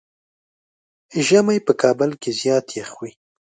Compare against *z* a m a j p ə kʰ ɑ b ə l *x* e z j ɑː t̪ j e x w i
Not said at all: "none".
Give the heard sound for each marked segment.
ʒ, k

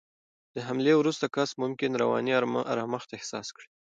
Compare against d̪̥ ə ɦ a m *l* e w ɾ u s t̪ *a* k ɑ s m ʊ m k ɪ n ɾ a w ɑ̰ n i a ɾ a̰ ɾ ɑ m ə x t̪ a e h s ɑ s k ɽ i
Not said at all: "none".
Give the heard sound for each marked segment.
l, a

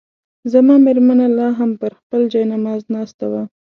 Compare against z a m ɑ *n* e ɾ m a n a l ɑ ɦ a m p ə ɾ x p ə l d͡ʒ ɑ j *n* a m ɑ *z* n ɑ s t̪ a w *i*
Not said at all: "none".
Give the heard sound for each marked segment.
m, n, z, a

